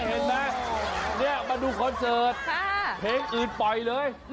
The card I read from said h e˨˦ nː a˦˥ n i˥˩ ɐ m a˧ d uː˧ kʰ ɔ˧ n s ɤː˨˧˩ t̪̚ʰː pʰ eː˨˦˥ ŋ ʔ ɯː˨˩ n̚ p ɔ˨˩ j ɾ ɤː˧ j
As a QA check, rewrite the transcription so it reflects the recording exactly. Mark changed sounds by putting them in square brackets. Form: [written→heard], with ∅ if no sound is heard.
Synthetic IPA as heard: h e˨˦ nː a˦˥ n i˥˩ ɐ m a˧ d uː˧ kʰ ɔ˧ n s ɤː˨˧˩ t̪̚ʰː pʰ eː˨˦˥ ŋ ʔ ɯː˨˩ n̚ p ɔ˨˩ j [ɾ→l] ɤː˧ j